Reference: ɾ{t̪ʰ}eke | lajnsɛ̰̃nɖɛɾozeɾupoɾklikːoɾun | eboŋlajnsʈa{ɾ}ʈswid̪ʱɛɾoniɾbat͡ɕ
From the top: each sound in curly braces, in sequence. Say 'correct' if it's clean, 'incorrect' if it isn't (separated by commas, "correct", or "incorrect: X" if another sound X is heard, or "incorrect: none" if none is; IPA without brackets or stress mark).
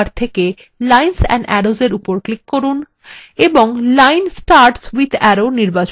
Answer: correct, correct